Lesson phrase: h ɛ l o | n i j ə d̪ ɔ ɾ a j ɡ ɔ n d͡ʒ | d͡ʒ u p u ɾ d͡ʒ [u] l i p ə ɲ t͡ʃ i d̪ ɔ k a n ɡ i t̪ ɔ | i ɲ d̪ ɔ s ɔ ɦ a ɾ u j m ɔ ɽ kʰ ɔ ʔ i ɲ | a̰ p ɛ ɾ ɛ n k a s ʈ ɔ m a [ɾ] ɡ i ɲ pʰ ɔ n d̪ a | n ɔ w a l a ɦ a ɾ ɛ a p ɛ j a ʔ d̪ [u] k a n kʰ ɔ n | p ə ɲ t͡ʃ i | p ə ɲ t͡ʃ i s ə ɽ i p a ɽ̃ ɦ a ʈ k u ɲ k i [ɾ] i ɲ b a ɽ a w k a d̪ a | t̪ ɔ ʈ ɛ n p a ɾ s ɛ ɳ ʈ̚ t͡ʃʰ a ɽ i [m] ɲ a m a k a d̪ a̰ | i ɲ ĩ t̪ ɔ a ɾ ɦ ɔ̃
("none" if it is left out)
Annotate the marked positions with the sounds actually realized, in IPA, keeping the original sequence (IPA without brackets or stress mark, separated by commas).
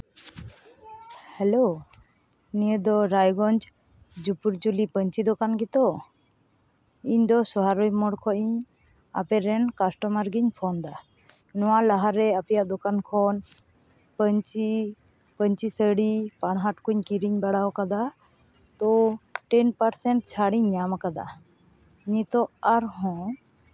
u, ɾ, ɔ, ɾ, ɲ